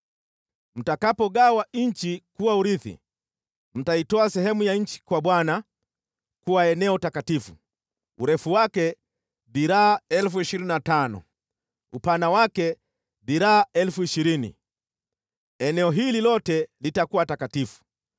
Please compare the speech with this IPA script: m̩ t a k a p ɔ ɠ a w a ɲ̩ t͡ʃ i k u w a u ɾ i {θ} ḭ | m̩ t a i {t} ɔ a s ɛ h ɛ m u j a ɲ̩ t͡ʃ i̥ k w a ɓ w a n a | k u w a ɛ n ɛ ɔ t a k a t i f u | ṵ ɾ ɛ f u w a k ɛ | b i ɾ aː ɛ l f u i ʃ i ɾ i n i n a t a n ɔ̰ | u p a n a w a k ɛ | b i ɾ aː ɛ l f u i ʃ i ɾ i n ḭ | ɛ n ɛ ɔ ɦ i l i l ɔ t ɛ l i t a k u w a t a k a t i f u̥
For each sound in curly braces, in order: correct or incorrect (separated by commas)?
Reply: correct, correct